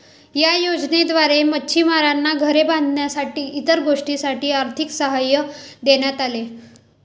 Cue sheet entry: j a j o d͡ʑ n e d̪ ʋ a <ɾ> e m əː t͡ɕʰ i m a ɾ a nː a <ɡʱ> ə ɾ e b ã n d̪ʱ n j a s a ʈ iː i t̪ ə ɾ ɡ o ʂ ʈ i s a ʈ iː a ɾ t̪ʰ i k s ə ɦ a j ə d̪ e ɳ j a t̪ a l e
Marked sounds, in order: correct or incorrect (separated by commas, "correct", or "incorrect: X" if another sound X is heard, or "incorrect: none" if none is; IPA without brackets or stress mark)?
correct, correct